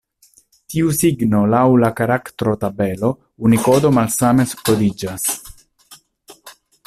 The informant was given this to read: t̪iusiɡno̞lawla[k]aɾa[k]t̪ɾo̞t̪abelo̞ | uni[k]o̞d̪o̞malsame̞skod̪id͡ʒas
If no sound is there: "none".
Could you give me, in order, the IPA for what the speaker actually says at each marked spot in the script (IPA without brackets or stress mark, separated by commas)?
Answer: k, k, k